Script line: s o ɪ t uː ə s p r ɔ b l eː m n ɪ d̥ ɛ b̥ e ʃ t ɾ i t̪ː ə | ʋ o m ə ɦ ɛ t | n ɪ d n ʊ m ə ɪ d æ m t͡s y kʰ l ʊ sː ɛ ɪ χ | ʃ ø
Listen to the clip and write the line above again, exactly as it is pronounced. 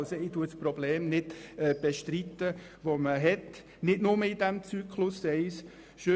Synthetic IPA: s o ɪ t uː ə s p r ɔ b l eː m n ɪ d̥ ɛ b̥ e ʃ t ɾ i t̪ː ə | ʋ o m ə ɦ ɛ t | n ɪ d n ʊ m ə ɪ d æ m t͡s y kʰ l ʊ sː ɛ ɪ s | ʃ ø